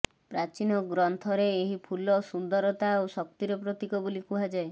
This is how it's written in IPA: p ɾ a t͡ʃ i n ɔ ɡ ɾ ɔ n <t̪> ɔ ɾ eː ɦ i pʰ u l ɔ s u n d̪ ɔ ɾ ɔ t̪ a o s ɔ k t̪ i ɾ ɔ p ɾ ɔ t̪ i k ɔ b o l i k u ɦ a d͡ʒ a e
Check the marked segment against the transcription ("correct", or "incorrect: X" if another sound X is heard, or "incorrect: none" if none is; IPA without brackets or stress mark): incorrect: t̪ʰ